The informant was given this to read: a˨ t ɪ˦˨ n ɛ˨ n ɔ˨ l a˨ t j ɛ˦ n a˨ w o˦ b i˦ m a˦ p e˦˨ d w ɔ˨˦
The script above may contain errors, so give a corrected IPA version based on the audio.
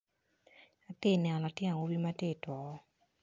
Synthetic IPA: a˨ t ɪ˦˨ n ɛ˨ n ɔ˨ l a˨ t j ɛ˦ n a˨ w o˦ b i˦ m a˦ t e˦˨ t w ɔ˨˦